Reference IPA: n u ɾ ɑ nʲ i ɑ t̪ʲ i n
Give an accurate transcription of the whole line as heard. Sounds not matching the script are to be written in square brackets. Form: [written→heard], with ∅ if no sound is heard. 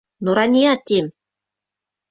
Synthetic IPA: n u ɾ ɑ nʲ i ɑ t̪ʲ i [n→m]